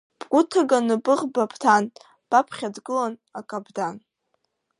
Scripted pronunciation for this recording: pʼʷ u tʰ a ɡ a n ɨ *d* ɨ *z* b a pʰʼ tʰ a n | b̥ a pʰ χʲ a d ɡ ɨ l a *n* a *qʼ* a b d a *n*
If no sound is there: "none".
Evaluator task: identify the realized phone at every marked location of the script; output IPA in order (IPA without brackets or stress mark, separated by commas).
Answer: b, ʁ, n, kʼ, n